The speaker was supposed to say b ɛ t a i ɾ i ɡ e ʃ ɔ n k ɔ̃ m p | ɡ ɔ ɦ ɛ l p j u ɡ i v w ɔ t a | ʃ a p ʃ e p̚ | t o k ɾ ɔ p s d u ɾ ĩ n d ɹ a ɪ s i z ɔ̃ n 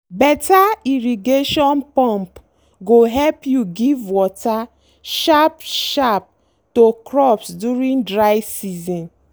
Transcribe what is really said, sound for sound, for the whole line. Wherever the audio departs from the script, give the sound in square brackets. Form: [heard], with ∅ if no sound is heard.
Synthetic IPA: b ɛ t a i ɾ i ɡ e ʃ ɔ n [p] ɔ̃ m p | ɡ [o] ɦ ɛ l p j u ɡ i v w ɔ t a | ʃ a p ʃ [a] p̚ | t o k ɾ ɔ p s d u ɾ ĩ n d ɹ a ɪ s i z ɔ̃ n